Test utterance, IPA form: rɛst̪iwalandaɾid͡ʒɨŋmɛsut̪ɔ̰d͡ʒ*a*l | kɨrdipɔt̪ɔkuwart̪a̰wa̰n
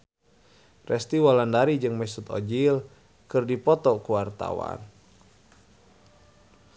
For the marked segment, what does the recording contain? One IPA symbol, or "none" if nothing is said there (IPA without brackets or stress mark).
i